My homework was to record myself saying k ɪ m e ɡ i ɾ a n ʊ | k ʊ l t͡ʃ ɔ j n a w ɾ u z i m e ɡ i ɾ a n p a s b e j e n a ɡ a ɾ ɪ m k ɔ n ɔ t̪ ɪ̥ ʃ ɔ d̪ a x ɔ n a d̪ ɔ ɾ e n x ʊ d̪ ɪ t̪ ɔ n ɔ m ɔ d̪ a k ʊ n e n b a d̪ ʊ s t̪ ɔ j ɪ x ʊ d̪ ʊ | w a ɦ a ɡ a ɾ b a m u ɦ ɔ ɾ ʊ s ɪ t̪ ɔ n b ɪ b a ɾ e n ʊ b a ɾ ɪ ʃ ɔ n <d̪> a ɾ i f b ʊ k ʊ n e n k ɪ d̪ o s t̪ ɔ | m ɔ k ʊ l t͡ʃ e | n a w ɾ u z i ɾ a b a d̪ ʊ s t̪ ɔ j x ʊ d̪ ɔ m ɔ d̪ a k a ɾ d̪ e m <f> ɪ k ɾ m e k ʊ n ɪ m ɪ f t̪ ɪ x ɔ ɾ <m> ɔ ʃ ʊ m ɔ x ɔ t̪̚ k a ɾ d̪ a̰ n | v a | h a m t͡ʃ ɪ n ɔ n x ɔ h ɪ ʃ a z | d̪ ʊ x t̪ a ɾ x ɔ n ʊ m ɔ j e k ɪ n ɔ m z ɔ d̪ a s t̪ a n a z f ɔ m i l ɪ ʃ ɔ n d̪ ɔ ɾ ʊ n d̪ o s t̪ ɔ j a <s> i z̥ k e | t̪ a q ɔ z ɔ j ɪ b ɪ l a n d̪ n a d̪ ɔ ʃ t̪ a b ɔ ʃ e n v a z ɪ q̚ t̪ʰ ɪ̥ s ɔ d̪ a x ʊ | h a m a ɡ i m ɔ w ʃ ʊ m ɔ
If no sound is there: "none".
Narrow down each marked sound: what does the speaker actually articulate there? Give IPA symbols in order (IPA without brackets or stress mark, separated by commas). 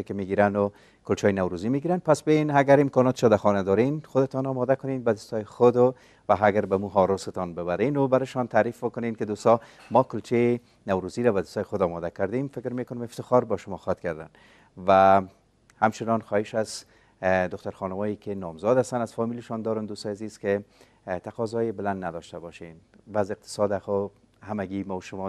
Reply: t̪, f, b, z